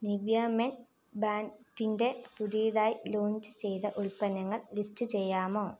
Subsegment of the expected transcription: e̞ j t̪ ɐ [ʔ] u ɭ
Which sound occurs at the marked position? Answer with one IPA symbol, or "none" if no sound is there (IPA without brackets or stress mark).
ʔ